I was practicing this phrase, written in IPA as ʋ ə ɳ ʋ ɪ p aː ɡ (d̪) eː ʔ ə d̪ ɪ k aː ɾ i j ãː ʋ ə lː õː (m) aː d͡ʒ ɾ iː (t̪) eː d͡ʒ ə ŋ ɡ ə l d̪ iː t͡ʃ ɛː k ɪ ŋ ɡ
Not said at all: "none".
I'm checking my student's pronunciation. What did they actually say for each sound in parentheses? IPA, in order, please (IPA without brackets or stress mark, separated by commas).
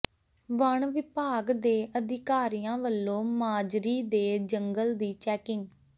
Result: d̪, m, d̪